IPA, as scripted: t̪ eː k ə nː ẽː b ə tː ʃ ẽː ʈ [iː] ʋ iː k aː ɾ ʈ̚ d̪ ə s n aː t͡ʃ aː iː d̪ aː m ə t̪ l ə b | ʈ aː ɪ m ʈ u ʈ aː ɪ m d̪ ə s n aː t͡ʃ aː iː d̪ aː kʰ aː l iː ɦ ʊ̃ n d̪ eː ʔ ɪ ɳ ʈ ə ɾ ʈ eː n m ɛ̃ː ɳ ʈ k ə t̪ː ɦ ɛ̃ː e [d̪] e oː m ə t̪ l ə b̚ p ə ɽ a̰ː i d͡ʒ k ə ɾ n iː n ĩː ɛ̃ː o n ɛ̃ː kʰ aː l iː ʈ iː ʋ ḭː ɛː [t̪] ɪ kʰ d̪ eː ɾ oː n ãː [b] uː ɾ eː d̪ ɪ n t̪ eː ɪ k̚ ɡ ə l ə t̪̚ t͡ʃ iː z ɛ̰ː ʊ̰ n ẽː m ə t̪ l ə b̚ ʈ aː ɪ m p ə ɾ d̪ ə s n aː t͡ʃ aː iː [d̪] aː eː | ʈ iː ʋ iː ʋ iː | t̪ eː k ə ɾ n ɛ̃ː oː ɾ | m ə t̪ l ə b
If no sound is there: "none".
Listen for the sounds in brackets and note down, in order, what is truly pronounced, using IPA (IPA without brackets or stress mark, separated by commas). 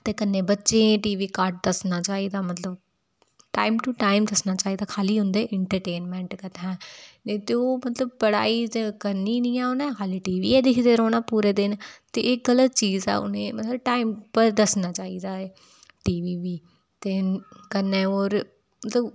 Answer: iː, t̪, d̪, p, d̪